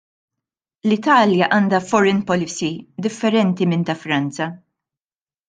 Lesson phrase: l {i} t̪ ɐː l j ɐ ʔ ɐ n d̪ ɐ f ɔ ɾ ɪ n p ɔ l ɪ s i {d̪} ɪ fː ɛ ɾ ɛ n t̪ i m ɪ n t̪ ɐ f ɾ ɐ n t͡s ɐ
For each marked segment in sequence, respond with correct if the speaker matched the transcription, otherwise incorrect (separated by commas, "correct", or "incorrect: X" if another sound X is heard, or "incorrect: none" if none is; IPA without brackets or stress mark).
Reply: incorrect: ɪ, correct